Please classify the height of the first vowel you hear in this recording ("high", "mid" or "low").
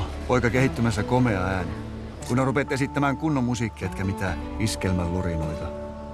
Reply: mid